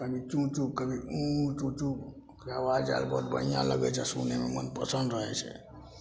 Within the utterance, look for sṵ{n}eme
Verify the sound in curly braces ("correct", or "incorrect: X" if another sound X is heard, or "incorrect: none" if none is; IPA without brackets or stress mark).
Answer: correct